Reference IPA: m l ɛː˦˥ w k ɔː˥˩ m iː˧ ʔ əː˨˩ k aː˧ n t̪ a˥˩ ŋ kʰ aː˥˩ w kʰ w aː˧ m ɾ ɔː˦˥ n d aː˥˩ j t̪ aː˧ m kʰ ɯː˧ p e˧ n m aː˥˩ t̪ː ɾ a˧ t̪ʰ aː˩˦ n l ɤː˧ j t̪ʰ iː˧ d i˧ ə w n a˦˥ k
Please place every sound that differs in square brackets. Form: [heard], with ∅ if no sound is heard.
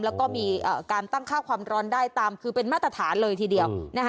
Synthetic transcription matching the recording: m l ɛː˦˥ w k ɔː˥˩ m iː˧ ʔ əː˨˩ k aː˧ n t̪ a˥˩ ŋ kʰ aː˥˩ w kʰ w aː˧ m ɾ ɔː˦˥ n d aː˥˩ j t̪ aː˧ m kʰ ɯː˧ p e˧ n m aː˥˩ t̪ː ɾ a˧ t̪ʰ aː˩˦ n l ɤː˧ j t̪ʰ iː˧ d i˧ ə w n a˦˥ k